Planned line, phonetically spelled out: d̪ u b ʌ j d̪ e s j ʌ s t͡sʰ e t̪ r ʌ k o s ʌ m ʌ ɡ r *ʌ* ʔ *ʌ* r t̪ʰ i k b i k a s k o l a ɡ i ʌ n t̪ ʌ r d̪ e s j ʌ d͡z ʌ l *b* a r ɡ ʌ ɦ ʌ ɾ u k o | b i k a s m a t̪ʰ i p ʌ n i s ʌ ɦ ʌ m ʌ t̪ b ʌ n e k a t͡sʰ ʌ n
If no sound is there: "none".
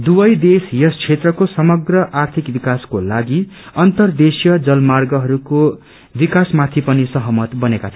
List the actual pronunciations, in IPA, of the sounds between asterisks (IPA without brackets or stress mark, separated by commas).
ʌ, a, m